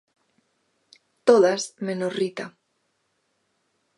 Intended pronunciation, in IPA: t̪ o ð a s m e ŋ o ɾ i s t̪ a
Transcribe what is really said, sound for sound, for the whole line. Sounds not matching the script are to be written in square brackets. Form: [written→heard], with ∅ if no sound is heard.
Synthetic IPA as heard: t̪ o ð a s m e [ŋ→n] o [ɾ→r] i [s→∅] t̪ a